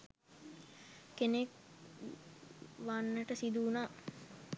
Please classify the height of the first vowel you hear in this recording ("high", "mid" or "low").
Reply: mid